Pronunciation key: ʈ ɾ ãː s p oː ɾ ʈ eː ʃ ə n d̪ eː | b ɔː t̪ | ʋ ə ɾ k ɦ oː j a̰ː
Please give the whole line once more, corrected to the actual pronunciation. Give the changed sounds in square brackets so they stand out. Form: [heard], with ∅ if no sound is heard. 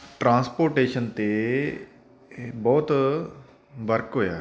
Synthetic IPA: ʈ ɾ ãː s p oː ɾ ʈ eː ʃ ə n [t̪] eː | b ɔː t̪ | ʋ ə ɾ k ɦ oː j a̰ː